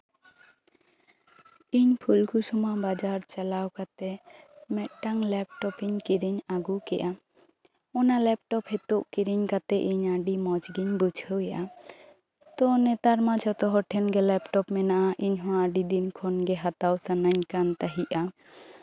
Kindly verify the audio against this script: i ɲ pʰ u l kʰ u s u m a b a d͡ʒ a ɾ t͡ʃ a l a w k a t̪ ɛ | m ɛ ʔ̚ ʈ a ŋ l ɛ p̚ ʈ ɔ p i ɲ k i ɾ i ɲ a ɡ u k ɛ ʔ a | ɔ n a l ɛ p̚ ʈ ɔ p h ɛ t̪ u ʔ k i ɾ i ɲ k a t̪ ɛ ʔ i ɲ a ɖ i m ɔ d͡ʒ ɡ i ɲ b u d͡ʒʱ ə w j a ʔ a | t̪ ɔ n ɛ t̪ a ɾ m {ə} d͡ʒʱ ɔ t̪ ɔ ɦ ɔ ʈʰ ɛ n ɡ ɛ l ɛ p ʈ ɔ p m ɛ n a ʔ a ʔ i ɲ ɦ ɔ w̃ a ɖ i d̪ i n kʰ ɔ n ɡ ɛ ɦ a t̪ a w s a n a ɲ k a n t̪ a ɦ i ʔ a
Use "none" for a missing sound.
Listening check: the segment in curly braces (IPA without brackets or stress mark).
a